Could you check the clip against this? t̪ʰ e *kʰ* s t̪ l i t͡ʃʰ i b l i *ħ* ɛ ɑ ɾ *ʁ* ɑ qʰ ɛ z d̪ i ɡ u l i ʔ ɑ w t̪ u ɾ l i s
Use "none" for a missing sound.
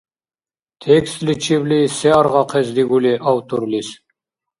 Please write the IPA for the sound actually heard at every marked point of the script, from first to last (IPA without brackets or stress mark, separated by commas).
k, s, ʁ